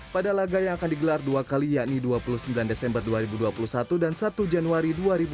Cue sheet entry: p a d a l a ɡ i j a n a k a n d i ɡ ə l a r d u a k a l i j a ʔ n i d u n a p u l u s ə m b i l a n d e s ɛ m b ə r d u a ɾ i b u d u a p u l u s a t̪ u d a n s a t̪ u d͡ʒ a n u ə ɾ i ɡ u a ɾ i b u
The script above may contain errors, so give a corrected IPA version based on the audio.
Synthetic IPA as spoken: p a d a l a ɡ a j a ŋ a k a n d i ɡ ə l a r d u a k a l i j a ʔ n i d u a p u l u s ə m b i l a n d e s ɛ m b ə r d u a ɾ i b u d u a p u l u s a t̪ u d a n s a t̪ u d͡ʒ a n u a ɾ i d u a ɾ i b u